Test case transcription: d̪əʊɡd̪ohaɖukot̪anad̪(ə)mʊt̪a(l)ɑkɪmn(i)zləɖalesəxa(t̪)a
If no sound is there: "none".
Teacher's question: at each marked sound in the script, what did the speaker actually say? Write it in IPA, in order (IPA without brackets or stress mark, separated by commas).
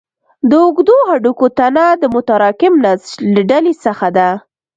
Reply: ə, ɾ, a, d̪